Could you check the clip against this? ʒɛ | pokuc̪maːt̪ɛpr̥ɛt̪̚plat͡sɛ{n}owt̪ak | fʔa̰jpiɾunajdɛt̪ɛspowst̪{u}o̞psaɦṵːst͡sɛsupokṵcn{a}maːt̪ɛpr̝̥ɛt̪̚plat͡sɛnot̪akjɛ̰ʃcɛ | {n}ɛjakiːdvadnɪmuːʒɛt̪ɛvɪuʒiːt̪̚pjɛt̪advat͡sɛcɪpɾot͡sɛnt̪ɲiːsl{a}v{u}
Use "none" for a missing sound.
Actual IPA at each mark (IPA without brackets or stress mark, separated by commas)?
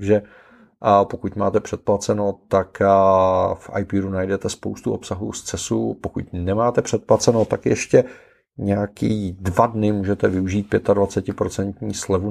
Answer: n, u, ɛ, ɲ, ɛ, u